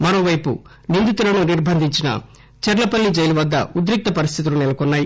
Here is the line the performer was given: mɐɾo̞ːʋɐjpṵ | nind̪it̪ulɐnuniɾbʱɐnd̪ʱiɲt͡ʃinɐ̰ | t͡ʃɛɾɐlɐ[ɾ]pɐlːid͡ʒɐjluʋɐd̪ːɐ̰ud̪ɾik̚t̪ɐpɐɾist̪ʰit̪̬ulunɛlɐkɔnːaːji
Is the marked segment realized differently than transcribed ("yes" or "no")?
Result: yes